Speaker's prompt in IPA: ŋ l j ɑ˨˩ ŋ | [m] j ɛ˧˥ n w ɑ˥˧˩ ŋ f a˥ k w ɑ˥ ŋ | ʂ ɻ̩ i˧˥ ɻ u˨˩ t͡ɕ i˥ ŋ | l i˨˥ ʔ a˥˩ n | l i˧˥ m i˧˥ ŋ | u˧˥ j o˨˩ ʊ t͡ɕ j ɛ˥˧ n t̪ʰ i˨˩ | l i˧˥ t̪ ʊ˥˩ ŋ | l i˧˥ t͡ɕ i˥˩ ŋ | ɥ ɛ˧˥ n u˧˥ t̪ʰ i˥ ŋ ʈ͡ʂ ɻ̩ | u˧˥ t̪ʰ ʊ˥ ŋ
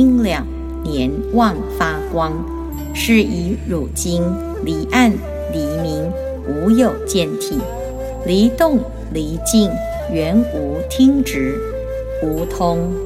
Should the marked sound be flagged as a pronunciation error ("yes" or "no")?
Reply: yes